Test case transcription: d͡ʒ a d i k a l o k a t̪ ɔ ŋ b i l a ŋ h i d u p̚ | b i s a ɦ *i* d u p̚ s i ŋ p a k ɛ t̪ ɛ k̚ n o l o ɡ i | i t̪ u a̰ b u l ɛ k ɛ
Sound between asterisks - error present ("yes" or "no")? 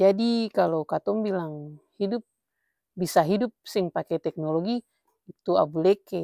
no